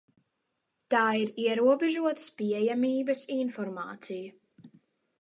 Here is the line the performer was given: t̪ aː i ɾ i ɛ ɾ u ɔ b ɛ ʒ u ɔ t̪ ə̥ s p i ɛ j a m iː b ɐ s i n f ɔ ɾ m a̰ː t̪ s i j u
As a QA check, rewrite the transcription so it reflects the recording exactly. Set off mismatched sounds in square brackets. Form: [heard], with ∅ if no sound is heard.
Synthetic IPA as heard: t̪ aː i ɾ i ɛ ɾ u ɔ b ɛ ʒ u ɔ t̪ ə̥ s p i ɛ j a m iː b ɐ s i n f ɔ ɾ m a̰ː t̪ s i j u

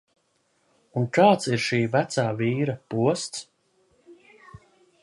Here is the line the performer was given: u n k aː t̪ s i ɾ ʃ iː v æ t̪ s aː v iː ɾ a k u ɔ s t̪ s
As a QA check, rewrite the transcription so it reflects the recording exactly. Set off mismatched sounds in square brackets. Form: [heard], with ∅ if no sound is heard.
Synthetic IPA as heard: u n k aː t̪ s i ɾ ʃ iː v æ t̪ s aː v iː ɾ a [p] u ɔ s t̪ s

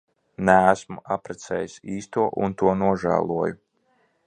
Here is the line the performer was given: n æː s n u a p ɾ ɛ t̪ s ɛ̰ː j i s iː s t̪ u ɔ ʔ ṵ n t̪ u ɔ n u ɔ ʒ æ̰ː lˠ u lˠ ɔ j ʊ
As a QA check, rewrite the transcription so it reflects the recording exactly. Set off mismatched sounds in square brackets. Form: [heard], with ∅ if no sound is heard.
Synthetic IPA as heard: n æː s [m] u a p ɾ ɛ t̪ s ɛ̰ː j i s iː s t̪ u ɔ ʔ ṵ n t̪ u ɔ n u ɔ ʒ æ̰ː lˠ u [∅] ɔ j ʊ

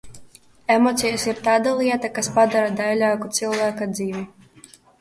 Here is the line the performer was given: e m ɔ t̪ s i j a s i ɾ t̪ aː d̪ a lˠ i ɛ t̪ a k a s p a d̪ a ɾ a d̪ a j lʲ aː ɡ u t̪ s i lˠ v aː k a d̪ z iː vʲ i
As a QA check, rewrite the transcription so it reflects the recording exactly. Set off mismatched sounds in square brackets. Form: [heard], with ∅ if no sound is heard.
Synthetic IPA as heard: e m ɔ t̪ s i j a s i ɾ t̪ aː d̪ a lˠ i ɛ t̪ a k a s p a d̪ a ɾ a d̪ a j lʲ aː [k] u t̪ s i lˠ v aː k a d̪ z iː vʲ i

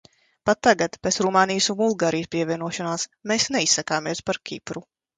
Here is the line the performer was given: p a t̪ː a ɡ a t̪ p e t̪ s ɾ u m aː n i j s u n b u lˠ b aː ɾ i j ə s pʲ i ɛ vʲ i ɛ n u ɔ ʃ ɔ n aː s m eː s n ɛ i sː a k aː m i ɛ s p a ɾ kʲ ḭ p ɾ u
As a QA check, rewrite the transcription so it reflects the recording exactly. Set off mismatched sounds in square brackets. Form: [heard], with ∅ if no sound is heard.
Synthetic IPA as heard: p a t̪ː a ɡ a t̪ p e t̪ s ɾ u m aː n i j s u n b u lˠ [ɡ] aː ɾ i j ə s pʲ i ɛ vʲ i ɛ n u ɔ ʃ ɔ n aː s m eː s n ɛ i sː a k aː m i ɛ s p a ɾ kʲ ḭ p ɾ u

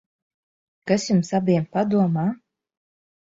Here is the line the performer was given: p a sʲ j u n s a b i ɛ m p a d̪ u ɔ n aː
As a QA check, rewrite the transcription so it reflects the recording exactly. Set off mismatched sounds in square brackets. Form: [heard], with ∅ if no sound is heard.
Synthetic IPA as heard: [k] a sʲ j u [m] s a b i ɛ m p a d̪ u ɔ [m] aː

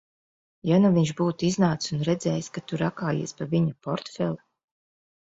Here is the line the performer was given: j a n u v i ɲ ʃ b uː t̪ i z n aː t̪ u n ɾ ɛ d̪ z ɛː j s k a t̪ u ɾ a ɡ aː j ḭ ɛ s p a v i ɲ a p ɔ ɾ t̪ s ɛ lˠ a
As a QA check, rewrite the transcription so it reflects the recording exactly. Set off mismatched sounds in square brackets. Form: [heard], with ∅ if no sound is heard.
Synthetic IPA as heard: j a n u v i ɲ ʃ b uː t̪ i z n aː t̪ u n ɾ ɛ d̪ z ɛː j s k a t̪ u ɾ a [k] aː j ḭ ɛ s p a v i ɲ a p ɔ ɾ t̪ [f] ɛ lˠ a

